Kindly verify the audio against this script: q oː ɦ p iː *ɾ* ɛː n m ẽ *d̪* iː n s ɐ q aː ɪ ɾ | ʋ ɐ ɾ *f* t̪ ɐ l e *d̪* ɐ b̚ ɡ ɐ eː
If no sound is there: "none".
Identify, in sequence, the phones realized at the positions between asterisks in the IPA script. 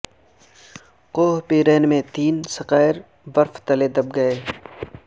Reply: ɾ, t̪, f, d̪

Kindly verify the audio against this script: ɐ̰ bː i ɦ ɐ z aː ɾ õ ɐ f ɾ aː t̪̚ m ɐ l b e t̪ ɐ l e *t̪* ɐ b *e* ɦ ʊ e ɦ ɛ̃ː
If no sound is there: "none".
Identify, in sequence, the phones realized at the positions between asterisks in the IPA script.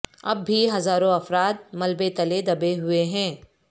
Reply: d̪, e

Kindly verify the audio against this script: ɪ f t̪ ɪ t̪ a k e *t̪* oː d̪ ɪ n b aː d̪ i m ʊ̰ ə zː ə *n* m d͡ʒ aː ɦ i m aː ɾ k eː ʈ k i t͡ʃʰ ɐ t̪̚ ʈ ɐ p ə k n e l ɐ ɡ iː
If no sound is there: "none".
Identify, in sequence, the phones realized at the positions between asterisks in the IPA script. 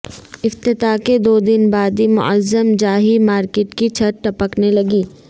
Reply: d̪, none

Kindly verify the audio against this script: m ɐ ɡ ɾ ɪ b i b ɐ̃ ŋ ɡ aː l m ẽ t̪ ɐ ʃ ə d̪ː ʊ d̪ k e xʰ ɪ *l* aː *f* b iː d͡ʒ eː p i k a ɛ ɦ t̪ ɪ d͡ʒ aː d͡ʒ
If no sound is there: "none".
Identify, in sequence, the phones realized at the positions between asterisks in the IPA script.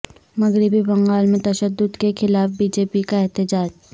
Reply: l, f

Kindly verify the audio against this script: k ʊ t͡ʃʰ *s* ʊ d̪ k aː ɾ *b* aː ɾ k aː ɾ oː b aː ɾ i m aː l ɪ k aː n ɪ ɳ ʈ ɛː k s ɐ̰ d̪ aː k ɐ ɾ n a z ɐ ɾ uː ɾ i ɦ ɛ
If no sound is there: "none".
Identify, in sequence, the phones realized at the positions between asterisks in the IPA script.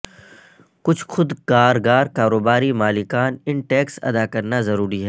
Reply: x, ɡ

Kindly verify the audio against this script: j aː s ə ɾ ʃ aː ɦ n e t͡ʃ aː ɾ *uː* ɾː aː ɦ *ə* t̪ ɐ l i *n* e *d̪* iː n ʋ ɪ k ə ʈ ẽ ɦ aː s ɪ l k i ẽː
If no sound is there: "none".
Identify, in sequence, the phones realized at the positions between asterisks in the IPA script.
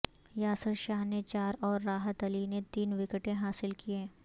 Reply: ɔː, ə, n, t̪

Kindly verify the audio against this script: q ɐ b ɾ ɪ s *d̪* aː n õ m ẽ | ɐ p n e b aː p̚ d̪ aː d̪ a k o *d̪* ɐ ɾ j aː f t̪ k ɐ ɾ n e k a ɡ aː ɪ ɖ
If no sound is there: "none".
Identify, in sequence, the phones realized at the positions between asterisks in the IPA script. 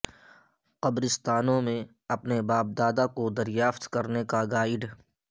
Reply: t̪, d̪

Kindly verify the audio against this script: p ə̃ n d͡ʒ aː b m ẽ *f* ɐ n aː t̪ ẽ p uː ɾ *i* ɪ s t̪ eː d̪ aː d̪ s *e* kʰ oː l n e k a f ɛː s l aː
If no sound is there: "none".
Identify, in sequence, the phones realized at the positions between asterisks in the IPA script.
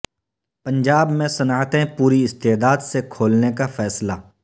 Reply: s, i, e

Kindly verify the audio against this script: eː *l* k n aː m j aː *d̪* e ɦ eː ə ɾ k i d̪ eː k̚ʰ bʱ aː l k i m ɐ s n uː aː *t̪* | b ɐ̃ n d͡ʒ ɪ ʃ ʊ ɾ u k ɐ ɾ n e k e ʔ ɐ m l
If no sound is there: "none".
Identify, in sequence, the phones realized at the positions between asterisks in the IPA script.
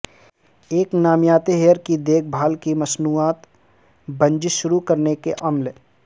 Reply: none, t̪, t̪

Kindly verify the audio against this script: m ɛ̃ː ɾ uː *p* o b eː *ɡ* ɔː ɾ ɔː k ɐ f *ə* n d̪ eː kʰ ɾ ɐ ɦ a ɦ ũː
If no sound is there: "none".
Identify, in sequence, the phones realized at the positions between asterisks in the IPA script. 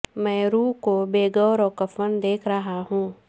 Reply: k, ɡ, ə

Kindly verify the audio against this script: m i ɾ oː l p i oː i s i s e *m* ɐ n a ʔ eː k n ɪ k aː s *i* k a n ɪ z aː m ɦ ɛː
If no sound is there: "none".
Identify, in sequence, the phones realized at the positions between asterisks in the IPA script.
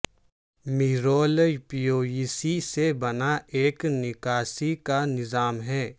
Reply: b, i

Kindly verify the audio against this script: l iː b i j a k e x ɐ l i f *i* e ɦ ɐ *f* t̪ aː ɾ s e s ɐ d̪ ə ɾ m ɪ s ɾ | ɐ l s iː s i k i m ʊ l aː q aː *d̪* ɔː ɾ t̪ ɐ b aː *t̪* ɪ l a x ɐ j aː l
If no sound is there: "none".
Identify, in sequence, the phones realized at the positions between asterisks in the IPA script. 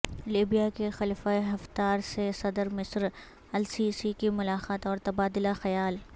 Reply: a, f, t̪, d̪

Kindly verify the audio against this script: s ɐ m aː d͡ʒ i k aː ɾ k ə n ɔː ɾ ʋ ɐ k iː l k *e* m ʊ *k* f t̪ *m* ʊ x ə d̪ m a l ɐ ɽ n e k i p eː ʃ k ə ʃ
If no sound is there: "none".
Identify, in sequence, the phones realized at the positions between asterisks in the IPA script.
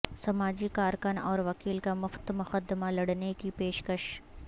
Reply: a, none, m

